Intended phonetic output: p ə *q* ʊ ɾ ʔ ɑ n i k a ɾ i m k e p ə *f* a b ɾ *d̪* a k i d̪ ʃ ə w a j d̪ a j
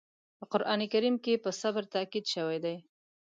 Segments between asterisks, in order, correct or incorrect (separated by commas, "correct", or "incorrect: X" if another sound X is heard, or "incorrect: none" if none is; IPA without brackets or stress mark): correct, incorrect: s, incorrect: t̪